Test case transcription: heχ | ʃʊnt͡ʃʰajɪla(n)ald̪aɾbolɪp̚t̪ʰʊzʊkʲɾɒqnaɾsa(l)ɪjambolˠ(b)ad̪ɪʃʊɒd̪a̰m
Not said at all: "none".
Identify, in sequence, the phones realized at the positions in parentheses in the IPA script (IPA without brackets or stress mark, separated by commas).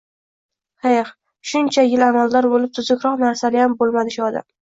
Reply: m, l, m